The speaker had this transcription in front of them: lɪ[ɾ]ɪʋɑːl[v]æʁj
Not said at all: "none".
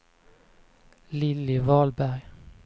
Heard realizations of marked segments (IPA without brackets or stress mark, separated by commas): l, b